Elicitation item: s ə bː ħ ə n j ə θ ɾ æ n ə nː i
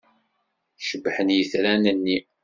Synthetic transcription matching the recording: ʃ ə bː ħ ə n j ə θ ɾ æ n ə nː i